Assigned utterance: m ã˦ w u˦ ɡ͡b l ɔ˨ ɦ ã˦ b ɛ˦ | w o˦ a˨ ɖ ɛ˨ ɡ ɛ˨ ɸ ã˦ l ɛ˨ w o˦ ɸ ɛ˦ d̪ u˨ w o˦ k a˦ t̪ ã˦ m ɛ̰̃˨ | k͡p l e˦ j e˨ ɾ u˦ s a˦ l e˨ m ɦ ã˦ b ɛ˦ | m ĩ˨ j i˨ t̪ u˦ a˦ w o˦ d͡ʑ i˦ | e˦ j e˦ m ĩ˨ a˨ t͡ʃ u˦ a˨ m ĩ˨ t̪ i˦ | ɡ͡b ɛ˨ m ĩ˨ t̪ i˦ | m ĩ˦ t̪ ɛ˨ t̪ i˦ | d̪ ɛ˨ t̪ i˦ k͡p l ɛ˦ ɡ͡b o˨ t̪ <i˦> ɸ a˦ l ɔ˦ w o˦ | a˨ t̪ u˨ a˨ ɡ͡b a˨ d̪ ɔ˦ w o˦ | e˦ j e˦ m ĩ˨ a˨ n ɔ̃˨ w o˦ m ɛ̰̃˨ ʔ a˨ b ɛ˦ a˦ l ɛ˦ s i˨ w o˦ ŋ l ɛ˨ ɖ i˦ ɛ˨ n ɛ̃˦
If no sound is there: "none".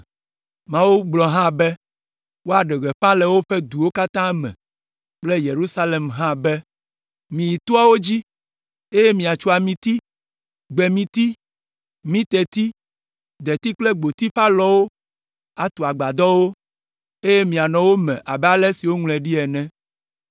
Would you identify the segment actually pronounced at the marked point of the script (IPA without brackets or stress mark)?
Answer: i˦